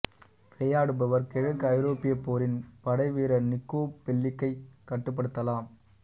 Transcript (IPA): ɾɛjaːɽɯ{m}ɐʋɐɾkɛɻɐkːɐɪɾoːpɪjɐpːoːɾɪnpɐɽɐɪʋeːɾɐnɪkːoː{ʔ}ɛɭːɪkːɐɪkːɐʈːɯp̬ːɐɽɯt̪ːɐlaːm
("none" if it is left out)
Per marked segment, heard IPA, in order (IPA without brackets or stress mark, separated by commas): b, p